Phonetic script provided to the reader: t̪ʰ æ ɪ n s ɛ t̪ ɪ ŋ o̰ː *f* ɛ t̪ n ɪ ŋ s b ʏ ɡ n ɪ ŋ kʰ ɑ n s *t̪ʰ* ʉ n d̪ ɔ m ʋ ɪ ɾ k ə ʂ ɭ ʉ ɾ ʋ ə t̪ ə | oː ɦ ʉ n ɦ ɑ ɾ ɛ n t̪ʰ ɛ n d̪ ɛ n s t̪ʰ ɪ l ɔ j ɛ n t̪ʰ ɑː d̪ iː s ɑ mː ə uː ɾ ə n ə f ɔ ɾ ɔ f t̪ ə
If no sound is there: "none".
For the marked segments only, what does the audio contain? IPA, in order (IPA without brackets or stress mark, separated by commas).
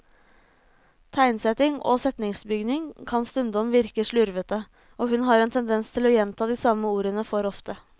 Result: s, t̪